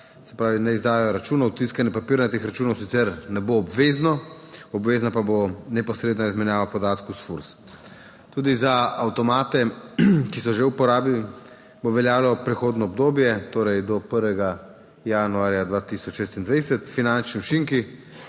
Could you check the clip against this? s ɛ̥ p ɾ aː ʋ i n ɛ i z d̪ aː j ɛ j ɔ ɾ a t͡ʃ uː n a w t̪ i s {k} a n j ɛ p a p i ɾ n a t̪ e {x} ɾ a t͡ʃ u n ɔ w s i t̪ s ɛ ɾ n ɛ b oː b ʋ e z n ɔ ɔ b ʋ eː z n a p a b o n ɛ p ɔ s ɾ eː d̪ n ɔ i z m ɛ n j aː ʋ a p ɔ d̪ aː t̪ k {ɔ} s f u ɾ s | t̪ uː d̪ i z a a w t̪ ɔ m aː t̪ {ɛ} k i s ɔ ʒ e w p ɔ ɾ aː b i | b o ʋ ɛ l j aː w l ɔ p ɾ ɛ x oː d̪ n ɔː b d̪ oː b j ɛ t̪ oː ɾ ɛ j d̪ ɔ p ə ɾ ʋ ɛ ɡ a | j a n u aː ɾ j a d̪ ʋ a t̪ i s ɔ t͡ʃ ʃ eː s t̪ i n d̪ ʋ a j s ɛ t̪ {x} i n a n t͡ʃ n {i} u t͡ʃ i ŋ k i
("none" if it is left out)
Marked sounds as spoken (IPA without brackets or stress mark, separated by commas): k, x, u, ɛ, f, i